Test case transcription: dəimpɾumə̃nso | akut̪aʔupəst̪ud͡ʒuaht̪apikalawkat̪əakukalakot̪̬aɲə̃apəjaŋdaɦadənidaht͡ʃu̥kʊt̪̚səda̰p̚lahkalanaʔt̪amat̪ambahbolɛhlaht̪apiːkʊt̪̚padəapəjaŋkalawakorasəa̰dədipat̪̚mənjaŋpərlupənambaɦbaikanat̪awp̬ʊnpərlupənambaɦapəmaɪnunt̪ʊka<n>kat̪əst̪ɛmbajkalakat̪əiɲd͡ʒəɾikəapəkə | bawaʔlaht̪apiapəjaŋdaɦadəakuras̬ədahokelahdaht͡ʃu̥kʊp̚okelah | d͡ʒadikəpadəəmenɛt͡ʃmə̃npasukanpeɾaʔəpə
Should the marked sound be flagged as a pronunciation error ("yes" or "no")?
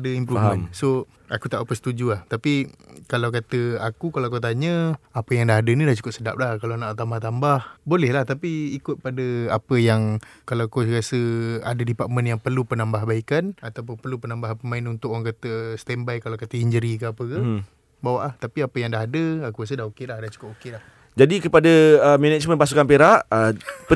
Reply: yes